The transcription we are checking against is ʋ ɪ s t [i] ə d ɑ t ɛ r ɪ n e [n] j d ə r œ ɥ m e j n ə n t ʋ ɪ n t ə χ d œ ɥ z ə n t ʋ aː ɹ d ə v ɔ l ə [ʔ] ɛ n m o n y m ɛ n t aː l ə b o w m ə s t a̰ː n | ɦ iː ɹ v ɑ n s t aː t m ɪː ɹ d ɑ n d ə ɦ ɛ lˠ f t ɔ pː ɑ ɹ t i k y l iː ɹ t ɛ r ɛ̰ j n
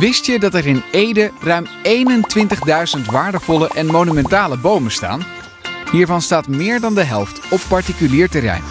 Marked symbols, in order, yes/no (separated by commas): no, no, yes